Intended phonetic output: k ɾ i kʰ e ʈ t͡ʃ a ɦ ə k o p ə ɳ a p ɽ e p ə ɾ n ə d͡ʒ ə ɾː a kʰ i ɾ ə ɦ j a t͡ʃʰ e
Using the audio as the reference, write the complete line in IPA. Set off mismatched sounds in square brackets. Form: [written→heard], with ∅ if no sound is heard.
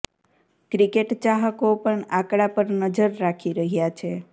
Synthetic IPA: k ɾ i [kʰ→k] e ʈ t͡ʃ a ɦ ə k o p ə ɳ a [p→k] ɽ [e→a] p ə ɾ n ə d͡ʒ ə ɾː a kʰ i ɾ ə ɦ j a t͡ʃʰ e